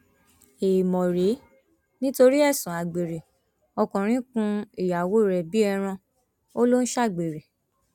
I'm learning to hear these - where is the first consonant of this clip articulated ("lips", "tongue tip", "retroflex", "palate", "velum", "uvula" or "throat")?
lips